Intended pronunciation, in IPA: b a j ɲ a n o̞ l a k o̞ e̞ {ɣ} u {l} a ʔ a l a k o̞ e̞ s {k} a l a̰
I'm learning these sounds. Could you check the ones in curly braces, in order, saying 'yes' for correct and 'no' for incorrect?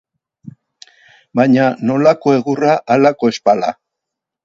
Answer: yes, no, no

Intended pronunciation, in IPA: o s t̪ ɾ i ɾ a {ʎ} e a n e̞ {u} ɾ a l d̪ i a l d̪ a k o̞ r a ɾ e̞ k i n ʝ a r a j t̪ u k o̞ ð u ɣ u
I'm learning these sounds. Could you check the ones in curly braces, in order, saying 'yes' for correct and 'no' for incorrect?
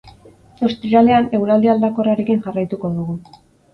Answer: no, no

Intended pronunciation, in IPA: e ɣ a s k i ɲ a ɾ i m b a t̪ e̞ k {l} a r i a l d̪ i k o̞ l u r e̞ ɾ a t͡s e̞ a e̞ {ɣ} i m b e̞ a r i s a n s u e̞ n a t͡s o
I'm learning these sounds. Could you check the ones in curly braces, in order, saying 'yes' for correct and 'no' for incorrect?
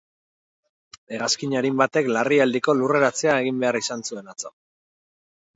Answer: yes, yes

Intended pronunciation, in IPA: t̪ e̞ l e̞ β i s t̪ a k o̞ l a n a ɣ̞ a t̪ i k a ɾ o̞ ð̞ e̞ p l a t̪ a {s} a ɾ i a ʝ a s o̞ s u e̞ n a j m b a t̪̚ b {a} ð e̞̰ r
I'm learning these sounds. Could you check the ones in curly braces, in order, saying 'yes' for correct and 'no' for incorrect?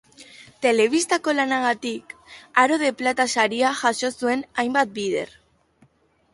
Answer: yes, no

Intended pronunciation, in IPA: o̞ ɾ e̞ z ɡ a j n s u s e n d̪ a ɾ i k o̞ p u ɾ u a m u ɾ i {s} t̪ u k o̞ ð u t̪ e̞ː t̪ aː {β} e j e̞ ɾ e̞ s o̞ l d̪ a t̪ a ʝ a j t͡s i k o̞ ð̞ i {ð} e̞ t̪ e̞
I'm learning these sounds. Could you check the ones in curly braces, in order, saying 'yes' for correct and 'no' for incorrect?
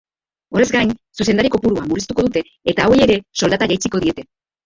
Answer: yes, no, no

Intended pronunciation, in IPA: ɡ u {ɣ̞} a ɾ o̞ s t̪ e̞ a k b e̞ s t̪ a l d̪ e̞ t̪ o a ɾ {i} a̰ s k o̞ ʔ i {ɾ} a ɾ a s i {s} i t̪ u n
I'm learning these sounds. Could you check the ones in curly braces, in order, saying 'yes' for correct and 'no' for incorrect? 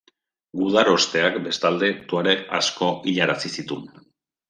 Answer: no, no, no, yes

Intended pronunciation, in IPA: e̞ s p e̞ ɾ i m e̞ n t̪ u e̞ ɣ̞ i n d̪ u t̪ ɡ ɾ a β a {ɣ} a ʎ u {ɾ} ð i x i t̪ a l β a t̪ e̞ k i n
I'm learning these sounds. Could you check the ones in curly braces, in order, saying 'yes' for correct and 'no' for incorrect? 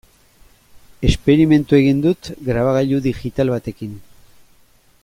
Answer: yes, no

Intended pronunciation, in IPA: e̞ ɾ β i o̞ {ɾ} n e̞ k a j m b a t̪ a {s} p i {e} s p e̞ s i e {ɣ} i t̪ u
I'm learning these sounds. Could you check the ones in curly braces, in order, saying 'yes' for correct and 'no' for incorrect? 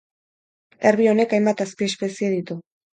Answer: no, yes, yes, no

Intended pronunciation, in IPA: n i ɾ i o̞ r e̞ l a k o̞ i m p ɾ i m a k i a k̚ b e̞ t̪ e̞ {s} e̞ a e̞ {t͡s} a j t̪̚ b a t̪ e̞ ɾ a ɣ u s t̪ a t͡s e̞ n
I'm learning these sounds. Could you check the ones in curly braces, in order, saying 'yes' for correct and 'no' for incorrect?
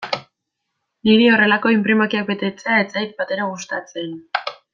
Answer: no, yes

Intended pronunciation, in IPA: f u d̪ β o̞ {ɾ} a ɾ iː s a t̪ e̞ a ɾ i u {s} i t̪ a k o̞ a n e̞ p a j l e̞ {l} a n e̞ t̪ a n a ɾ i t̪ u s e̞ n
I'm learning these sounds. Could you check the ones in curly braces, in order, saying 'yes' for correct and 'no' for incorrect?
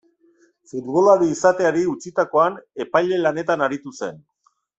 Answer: no, no, yes

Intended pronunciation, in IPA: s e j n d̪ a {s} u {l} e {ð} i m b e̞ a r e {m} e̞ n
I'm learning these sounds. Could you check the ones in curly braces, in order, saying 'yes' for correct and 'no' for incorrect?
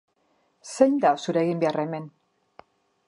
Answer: yes, no, no, yes

